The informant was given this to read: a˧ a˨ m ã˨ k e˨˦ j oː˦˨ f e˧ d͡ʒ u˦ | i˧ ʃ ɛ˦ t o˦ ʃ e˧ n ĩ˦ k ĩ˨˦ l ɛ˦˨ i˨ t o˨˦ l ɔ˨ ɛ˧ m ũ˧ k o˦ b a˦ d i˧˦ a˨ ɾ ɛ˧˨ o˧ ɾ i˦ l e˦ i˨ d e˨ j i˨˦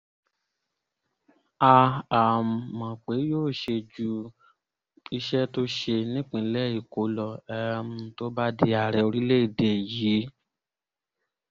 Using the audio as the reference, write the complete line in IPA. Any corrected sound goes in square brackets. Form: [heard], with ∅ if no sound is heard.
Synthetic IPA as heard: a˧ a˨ m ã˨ [k͡p] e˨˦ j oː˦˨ [ʃ] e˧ d͡ʒ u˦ | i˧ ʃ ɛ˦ t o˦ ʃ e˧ n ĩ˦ [k͡p] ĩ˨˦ l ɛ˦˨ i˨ [k] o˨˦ l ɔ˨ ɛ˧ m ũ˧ [t] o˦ b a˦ d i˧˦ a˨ ɾ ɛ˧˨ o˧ ɾ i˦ l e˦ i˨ d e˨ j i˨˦